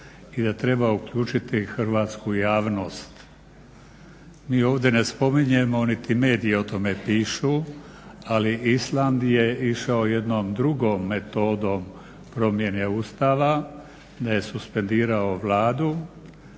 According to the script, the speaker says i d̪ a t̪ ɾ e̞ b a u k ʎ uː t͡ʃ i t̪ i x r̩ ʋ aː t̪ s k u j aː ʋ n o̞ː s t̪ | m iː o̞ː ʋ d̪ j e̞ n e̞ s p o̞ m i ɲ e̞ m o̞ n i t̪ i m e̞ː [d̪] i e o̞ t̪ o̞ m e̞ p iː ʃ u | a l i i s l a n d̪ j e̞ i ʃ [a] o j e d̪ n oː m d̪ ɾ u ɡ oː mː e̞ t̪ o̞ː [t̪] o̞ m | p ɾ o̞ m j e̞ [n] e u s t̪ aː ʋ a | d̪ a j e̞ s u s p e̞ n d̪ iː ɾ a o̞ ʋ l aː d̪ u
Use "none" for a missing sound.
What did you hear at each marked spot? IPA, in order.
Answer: d̪, a, d̪, n

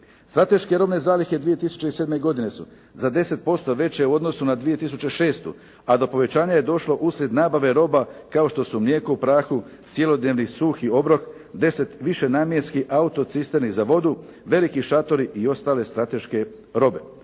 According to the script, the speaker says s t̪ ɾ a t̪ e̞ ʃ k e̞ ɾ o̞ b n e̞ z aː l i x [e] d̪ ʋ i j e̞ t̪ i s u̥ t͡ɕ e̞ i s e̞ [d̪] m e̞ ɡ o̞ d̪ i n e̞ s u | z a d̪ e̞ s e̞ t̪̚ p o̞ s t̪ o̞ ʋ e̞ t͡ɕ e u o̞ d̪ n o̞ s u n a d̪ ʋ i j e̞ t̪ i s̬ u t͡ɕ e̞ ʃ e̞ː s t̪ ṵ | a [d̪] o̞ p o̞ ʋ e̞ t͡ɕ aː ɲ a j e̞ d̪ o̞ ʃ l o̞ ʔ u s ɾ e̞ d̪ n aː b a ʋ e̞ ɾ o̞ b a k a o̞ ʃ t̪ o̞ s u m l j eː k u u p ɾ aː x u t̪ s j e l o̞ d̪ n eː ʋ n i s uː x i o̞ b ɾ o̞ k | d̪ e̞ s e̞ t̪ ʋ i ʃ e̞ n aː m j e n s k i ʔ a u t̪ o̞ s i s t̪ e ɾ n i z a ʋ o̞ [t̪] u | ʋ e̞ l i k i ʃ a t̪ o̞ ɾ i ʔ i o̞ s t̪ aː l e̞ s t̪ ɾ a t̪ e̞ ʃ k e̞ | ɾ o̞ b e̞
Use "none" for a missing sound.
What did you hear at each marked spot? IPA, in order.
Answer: e, d̪, d̪, d̪

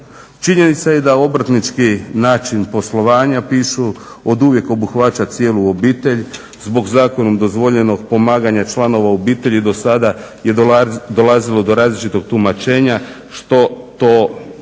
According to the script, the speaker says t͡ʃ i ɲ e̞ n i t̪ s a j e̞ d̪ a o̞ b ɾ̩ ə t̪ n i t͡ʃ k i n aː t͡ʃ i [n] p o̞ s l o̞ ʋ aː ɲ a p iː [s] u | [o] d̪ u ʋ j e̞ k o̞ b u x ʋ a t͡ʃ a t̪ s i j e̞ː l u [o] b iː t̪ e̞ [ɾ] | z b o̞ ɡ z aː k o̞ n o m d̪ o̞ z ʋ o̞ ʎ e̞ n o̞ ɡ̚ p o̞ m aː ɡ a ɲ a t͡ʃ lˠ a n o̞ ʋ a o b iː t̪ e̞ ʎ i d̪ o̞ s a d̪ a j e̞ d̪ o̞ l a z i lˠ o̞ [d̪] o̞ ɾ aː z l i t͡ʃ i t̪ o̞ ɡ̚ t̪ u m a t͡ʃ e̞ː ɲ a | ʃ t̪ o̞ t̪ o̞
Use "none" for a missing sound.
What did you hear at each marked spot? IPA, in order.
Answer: n, ʃ, o, o, ʎ, d̪

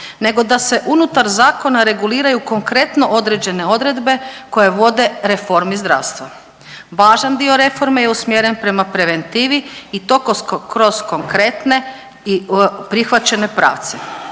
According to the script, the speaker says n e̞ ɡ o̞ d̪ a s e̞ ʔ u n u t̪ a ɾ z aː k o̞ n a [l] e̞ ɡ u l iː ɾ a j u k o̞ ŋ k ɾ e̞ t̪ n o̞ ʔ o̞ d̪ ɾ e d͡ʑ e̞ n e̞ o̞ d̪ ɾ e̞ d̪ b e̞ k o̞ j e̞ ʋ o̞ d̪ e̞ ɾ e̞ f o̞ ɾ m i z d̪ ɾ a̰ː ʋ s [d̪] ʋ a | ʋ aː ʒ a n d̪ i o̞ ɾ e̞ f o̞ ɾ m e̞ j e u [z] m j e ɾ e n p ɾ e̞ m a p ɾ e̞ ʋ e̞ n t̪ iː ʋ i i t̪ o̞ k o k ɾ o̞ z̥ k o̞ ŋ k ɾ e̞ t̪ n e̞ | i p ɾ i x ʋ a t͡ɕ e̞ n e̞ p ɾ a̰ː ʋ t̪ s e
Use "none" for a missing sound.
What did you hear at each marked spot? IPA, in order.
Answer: ɾ, t̪, s

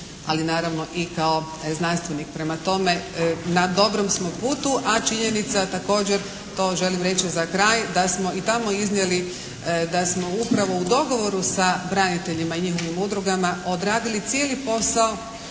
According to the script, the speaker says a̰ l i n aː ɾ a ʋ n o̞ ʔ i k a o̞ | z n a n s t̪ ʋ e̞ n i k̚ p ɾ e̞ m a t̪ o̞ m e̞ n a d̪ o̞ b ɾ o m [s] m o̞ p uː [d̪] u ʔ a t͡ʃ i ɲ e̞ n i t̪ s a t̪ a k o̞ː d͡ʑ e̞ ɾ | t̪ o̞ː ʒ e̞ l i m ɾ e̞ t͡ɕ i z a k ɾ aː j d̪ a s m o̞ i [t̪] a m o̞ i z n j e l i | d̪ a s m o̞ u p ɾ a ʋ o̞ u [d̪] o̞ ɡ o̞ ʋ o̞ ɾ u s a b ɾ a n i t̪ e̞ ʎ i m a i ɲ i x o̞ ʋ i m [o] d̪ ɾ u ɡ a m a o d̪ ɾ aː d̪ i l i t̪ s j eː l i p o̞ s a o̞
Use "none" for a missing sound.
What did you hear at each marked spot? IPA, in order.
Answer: s, t̪, t̪, d̪, u

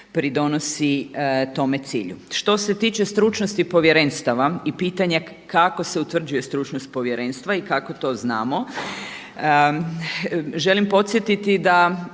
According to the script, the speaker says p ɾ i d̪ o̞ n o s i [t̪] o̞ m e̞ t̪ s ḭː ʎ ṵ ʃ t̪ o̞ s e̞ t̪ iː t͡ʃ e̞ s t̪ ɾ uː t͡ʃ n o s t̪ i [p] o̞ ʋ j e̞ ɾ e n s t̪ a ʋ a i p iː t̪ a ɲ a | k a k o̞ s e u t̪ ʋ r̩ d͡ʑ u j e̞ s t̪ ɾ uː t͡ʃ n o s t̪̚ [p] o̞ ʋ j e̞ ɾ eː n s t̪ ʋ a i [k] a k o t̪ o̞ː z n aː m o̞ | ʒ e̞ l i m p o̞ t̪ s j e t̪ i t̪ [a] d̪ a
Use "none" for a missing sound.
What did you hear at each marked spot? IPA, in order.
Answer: t̪, p, p, k, i

